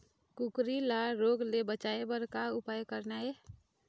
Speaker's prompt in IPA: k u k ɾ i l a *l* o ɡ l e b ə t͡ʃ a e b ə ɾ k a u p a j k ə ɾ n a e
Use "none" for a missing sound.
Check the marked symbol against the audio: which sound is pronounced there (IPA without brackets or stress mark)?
ɾ